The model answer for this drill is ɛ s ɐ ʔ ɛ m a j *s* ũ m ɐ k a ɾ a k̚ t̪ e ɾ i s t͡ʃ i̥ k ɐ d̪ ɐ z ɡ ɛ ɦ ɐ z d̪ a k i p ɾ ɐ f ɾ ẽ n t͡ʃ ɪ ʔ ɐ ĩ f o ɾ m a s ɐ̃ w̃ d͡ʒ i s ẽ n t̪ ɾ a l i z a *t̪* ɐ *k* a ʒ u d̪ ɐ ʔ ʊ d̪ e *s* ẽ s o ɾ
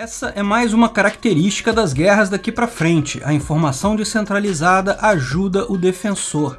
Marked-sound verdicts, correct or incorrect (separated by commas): incorrect, incorrect, incorrect, incorrect